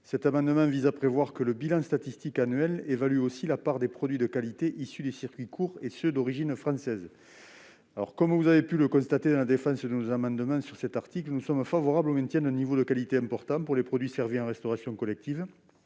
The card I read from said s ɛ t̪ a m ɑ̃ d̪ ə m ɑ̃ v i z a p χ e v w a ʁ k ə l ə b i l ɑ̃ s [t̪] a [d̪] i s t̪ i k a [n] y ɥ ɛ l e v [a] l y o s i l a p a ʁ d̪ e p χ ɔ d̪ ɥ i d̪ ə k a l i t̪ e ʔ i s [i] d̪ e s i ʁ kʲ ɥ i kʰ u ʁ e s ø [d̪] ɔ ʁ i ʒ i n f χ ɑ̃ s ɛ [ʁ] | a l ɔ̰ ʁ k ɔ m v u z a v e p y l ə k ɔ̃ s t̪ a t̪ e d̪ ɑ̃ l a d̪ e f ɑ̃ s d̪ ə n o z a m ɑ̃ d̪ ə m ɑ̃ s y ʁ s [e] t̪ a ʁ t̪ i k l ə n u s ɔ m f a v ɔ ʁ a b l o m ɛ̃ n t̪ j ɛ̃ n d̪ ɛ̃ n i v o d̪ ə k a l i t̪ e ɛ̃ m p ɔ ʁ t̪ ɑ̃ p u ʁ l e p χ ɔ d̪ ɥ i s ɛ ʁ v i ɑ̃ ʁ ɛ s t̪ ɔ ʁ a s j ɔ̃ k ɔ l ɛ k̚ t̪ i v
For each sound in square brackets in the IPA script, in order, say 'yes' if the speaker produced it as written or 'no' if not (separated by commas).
yes, no, yes, yes, no, yes, no, no